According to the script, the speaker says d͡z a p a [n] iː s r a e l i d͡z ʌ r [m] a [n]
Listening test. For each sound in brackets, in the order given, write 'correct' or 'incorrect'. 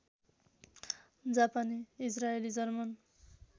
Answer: correct, correct, correct

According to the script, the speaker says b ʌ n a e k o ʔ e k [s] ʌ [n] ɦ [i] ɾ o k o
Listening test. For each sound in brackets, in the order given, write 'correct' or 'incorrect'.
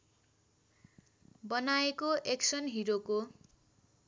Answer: correct, correct, correct

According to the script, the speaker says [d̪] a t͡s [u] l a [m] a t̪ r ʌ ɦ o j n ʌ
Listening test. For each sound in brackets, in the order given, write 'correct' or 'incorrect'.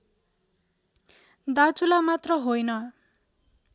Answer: correct, correct, correct

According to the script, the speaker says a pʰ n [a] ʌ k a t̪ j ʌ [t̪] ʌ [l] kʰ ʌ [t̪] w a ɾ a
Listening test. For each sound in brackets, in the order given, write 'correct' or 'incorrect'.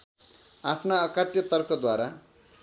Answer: correct, correct, incorrect: r, incorrect: d̪

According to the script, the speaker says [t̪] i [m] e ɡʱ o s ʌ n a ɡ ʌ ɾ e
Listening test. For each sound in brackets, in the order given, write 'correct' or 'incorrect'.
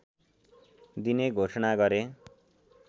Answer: incorrect: d̪, incorrect: n

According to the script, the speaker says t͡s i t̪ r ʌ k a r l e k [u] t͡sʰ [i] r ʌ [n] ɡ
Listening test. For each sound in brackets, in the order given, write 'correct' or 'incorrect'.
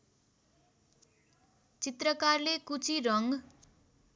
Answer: correct, correct, incorrect: ŋ

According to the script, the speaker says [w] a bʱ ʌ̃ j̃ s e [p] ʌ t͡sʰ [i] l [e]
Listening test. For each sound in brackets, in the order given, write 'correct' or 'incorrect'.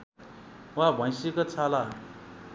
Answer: correct, incorrect: k, incorrect: a, incorrect: a

